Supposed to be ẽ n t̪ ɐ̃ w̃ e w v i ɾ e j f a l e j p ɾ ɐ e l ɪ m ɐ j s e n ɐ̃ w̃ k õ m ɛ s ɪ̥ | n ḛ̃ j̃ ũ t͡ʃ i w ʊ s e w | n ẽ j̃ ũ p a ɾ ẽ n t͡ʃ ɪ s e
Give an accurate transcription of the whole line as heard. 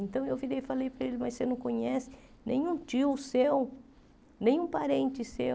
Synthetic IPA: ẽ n t̪ ɐ̃ w̃ e w v i ɾ e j f a l e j p ɾ ɐ e l ɪ m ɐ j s e n ɐ̃ w̃ k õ ɲ ɛ s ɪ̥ | n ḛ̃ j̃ ũ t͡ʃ i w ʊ s e w | n ẽ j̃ ũ p a ɾ ẽ n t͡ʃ ɪ s e